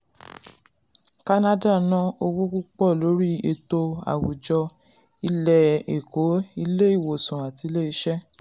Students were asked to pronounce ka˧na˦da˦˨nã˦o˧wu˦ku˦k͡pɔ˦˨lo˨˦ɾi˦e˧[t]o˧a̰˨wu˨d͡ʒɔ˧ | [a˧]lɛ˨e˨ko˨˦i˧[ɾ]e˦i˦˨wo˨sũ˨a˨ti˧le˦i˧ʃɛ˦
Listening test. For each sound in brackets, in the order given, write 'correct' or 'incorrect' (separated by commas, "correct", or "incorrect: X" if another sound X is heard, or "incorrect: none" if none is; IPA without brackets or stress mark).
correct, incorrect: i˧, incorrect: l